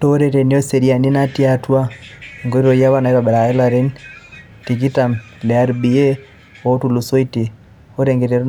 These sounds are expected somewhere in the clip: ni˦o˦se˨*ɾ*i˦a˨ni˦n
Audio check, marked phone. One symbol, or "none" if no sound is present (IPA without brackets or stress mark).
ɾ